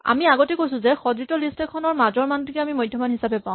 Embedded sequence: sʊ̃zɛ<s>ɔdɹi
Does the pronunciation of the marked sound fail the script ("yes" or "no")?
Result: yes